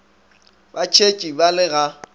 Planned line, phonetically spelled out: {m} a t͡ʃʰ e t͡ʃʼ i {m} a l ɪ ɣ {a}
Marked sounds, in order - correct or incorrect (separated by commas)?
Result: incorrect, incorrect, correct